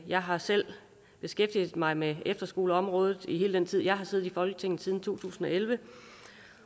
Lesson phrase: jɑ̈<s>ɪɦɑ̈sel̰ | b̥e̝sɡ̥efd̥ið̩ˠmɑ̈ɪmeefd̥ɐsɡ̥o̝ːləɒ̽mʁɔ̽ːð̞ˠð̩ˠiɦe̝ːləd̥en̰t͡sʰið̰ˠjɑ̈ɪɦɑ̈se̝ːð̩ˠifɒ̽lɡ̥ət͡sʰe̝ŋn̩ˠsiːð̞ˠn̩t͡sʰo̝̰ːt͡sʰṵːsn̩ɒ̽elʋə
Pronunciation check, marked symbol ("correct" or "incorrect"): incorrect